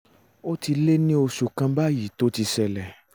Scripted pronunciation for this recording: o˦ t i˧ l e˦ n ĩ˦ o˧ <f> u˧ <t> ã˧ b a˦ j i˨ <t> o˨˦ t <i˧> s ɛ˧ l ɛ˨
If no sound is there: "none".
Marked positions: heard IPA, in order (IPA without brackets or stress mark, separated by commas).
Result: ʃ, k, t, i˧